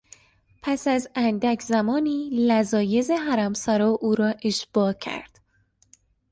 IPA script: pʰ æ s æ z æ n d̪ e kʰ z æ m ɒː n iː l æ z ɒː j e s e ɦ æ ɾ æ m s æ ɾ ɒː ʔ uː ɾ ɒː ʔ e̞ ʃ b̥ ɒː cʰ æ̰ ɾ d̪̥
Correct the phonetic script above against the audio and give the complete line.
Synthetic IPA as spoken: pʰ æ s æ z æ n d̪ æ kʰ z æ m ɒː n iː l æ z ɒː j e z e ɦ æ ɾ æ m s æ ɾ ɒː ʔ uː ɾ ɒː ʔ e̞ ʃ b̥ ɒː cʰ æ̰ ɾ d̪̥

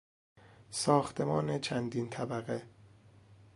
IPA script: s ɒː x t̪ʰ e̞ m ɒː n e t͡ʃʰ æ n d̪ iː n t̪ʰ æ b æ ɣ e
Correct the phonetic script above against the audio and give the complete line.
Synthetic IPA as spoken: s ɒː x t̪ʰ e̞ m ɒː n e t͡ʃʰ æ n d̪ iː n t̪ʰ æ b æ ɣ e

